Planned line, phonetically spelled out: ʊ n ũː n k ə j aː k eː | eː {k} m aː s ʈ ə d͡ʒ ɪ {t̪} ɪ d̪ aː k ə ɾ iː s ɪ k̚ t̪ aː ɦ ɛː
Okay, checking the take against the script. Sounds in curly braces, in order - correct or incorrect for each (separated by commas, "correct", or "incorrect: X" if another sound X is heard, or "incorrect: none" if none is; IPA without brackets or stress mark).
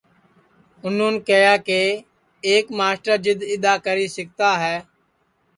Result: correct, incorrect: d̪